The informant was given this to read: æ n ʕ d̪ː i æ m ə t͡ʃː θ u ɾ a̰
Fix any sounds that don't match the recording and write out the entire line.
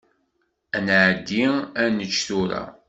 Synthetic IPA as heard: æ n ʕ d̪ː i æ n ə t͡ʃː θ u ɾ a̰

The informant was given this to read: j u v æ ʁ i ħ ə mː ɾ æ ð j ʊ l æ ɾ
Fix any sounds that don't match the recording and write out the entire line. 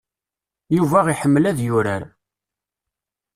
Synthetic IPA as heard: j u v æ ʁ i ħ ə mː l æ ð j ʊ ɾ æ ɾ

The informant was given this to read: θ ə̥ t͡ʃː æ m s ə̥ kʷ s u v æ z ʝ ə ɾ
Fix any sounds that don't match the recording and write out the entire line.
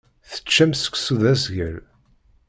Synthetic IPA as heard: θ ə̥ t͡ʃː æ m s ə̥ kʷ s u ð æ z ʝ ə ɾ

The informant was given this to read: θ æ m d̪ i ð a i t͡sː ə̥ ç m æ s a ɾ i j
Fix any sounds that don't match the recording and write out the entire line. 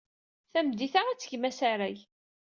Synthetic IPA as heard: θ æ m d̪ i θ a æ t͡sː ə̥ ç m æ s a ɾ æ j

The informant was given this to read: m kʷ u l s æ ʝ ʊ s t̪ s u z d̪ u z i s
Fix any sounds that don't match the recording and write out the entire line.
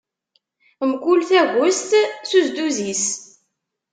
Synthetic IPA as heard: m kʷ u l θ æ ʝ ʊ s t̪ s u z d̪ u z i s

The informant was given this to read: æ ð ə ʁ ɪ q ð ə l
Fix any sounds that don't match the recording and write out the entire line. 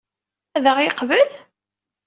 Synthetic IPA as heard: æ ð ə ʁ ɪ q v ə l

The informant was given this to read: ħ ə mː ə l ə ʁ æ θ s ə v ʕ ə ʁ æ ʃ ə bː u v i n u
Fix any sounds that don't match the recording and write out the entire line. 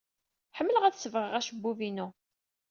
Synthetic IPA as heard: ħ ə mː ə l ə ʁ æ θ s ə v ʁ ə ʁ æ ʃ ə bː u v i n u

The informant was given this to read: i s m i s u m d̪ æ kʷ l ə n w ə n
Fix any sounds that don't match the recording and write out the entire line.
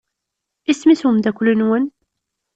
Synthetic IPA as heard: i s m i s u m d̪ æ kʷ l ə n w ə n

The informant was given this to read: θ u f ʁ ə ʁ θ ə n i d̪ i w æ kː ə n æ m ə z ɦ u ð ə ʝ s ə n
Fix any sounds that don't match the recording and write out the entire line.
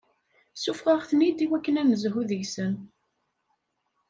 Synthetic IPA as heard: s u f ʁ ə ʁ θ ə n i d̪ i w æ kː ə n æ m ə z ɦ u ð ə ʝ s ə n

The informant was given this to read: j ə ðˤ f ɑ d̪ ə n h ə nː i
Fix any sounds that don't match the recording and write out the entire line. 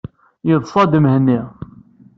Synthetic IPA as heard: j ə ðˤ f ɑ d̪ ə m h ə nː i

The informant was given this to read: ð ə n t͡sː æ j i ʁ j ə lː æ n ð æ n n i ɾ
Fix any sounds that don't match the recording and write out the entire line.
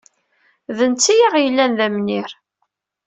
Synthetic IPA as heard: ð ə n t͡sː i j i ʁ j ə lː æ n ð æ m n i ɾ

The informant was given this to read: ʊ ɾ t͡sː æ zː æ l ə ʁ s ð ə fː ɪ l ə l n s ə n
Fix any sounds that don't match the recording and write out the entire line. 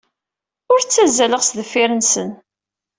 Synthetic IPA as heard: ʊ ɾ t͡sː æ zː æ l ə ʁ s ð ə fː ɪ ɾ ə n s ə n

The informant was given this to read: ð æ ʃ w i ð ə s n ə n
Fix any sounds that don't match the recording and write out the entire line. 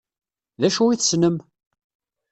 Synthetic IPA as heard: ð æ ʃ u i θ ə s n ə m

